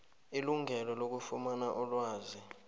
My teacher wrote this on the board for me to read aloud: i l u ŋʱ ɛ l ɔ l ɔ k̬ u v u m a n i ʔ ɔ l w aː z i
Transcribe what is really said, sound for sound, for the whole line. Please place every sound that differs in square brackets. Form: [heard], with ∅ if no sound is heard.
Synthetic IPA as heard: i l u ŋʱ ɛ l ɔ l [o] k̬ u [f] u m a n [a] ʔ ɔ l w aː z i